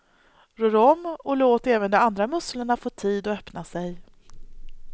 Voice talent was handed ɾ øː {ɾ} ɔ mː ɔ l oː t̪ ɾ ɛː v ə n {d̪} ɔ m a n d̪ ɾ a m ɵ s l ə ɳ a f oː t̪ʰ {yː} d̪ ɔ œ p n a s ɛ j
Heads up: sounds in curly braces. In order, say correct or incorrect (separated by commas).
correct, correct, incorrect